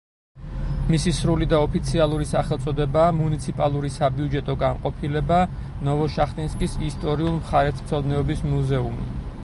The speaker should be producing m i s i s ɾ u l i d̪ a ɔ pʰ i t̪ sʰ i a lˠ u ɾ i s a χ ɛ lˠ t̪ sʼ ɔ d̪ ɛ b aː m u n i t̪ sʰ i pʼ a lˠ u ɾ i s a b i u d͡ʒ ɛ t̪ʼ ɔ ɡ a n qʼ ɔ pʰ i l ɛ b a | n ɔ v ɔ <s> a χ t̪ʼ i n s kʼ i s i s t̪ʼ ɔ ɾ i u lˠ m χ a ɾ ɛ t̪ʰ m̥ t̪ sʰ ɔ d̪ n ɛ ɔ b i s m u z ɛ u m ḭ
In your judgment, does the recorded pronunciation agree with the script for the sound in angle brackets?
no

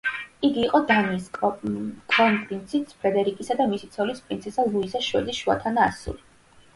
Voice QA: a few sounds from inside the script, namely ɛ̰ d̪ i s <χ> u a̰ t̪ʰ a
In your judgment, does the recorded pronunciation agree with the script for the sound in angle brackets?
no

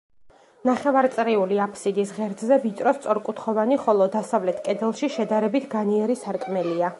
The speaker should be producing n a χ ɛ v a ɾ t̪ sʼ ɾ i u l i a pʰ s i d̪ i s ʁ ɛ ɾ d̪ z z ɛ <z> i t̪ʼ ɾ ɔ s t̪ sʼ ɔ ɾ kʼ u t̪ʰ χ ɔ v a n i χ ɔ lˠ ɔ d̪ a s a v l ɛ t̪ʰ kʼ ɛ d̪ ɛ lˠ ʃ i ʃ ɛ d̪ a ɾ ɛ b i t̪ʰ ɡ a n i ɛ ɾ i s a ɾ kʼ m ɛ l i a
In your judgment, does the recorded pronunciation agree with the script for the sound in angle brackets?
no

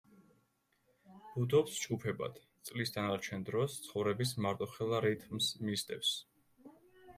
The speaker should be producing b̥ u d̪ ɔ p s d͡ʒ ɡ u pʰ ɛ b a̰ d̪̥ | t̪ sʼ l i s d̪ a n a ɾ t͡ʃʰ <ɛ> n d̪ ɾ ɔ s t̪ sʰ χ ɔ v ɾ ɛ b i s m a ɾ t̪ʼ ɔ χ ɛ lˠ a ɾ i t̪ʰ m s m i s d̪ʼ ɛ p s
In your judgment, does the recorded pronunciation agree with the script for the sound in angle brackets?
yes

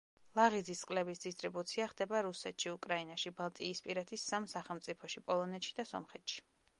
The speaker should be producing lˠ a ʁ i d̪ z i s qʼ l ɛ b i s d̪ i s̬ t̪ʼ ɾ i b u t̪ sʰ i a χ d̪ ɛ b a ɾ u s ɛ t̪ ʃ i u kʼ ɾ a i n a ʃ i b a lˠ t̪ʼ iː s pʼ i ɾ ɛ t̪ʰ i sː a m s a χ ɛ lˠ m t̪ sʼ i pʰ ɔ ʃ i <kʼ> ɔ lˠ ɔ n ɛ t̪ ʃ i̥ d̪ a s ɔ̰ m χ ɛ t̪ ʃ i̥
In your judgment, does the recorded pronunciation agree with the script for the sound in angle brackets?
no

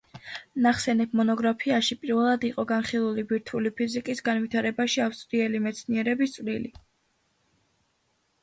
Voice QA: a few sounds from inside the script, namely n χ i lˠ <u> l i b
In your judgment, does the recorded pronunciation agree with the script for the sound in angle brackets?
yes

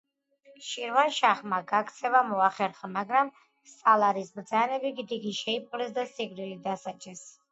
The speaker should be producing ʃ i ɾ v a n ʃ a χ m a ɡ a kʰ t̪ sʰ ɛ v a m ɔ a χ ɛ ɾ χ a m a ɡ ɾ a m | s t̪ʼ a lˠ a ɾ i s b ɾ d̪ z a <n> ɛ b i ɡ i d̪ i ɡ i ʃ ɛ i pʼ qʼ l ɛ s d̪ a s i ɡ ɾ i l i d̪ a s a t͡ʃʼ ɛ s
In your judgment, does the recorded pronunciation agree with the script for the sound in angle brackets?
yes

